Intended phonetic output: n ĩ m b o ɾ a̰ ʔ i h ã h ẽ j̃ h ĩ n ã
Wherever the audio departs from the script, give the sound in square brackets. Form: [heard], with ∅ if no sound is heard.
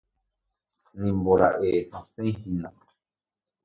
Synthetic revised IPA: n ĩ m b o ɾ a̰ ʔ [e] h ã [s] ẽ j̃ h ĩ n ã